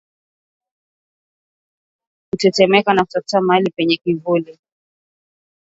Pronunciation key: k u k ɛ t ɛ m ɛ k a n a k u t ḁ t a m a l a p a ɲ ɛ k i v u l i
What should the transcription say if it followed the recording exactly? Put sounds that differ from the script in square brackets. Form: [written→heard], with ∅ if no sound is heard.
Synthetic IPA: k u [k→t] ɛ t ɛ m ɛ k a n a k u t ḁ t a m a l [a→i] p [a→ɛ] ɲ ɛ k i v u l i